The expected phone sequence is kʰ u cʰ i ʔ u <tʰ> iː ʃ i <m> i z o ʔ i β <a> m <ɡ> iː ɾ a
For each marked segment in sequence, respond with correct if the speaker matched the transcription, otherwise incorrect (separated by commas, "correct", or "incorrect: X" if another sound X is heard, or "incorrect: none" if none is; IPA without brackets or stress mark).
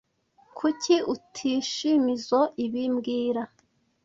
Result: correct, correct, incorrect: i, correct